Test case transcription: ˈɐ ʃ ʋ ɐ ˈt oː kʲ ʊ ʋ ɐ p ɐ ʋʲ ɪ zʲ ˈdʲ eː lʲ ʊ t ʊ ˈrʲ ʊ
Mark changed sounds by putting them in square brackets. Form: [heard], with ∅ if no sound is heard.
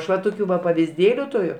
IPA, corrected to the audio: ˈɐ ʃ ʋ ɐ ˈt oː kʲ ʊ ʋ ɐ p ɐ ʋʲ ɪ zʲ ˈdʲ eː lʲ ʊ t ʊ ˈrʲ ʊ